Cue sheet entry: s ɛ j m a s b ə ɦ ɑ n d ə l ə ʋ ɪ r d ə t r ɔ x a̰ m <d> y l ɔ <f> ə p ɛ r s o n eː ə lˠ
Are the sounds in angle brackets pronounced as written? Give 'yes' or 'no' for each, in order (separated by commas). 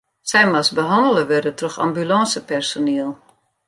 no, no